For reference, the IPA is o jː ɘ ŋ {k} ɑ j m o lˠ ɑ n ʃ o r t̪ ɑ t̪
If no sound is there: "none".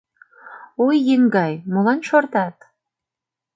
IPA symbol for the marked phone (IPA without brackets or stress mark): ɡ